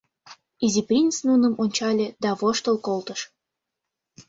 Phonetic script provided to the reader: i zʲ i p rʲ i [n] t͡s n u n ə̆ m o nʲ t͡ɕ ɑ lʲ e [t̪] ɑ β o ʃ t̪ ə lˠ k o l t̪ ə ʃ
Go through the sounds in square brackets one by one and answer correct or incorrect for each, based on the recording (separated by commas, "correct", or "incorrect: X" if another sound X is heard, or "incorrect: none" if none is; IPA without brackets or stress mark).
correct, incorrect: d̪